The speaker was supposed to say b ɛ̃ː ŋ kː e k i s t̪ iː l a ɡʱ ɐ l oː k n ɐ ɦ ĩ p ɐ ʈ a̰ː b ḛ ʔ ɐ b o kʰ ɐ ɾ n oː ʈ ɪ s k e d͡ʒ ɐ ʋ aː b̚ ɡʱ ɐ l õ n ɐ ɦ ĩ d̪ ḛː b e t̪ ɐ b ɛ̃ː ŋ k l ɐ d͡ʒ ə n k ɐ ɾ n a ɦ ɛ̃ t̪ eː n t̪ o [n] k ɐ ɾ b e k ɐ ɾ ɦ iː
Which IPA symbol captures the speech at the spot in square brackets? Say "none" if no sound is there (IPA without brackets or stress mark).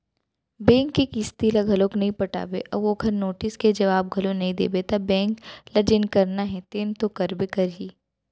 none